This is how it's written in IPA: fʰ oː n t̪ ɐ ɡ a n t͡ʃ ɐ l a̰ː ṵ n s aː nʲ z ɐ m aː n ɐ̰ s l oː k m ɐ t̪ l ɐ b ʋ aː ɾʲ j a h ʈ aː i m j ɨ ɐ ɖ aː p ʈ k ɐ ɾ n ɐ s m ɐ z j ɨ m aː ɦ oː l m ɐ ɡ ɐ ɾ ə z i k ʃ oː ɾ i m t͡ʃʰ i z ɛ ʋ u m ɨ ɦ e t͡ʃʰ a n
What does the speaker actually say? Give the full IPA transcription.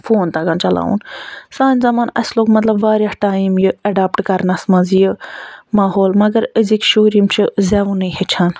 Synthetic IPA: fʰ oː n t̪ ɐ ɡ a n t͡ʃ ɐ l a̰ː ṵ n s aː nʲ z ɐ m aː n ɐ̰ s l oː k m ɐ t̪ l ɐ b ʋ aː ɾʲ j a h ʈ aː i m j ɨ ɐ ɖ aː p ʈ k ɐ ɾ n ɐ s m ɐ z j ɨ m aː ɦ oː l m ɐ ɡ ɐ ɾ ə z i k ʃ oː ɾ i m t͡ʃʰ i z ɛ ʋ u n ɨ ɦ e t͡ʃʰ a n

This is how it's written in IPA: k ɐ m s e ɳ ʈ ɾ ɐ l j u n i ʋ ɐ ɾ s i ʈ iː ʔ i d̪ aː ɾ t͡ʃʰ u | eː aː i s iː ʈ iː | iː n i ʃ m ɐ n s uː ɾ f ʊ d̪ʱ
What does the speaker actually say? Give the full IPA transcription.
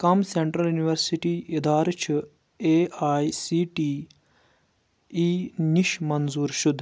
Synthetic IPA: k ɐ m s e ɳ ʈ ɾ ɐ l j u n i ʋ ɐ ɾ s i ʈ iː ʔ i d̪ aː ɾ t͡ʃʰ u | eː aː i s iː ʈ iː | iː n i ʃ m ɐ n z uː ɾ ʃ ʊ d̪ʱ

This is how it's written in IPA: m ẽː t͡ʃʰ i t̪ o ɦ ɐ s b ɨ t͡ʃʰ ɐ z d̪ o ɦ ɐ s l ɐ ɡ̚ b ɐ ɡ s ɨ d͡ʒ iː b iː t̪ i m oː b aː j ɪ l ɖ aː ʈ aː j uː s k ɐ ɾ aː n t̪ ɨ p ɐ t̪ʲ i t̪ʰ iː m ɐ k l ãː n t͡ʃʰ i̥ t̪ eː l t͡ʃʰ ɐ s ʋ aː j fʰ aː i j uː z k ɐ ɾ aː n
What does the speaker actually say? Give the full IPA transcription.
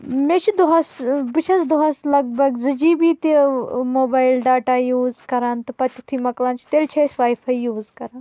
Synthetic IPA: m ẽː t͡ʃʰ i d̪ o ɦ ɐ s b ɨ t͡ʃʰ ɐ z d̪ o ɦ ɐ s l ɐ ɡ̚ b ɐ ɡ z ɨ d͡ʒ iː b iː t̪ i m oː b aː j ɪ l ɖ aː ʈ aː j uː z k ɐ ɾ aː n t̪ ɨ p ɐ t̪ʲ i t̪ʰ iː m ɐ k l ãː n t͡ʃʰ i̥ t̪ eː l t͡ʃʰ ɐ s ʋ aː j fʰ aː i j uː z k ɐ ɾ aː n

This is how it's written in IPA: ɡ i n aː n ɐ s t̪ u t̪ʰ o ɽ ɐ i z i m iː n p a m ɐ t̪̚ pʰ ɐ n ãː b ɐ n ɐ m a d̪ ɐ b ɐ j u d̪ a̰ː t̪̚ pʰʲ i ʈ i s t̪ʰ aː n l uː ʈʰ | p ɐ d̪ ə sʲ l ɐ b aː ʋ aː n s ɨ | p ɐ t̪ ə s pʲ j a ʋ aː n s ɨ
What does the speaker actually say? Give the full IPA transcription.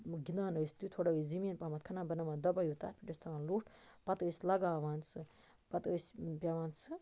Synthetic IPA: ɡ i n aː n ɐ s t̪ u t̪ʰ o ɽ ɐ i z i m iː n p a m ɐ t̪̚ kʰ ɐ n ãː b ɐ n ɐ m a d̪ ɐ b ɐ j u t̪ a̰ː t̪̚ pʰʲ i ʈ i s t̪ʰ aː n l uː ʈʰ | p ɐ t̪ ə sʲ l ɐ ɡ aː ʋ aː n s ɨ | p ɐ t̪ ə s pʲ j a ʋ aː n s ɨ

